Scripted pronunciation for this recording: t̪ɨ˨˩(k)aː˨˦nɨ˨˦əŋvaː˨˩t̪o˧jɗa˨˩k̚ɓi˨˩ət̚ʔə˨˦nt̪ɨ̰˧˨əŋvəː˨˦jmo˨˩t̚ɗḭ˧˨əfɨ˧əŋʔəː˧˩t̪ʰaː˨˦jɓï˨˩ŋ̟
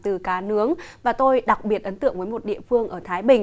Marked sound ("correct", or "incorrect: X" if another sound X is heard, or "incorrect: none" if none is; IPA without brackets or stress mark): correct